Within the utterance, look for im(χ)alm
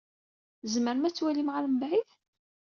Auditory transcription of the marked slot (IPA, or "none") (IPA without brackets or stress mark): ʁ